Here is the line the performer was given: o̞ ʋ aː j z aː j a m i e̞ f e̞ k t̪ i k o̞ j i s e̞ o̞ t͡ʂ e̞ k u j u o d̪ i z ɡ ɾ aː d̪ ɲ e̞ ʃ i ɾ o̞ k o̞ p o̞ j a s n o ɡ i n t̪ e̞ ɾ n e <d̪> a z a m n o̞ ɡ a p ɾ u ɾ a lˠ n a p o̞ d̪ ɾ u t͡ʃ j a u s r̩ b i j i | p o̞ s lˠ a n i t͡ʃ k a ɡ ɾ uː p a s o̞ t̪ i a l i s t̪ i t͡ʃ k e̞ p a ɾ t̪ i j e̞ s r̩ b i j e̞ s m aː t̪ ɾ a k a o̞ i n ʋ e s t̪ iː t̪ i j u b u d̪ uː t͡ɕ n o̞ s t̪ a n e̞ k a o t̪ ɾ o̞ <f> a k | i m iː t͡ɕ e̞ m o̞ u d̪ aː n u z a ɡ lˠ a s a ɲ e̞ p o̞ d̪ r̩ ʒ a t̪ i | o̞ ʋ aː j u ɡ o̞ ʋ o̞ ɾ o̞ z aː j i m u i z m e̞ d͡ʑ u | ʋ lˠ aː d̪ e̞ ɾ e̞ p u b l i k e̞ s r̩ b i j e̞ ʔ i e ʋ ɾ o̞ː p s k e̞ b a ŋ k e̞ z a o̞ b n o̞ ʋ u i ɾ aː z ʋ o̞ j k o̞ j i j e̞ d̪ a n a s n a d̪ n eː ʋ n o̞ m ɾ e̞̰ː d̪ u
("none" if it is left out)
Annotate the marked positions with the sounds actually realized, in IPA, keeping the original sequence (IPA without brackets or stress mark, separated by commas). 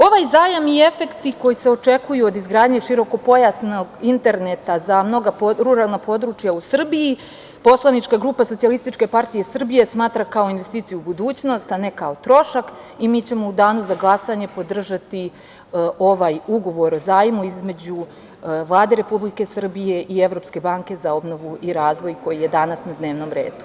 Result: t̪, ʃ